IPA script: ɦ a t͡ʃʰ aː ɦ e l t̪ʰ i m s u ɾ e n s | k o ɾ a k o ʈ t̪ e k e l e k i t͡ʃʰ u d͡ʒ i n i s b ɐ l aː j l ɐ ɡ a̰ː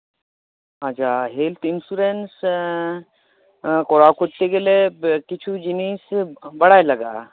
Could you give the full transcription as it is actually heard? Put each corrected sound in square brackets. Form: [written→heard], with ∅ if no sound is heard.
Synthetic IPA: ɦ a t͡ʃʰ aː ɦ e l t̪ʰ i [m→n] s u ɾ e n s | k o ɾ a k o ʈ t̪ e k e l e k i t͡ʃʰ u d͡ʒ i n i s b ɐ [l→ɽ] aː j l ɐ ɡ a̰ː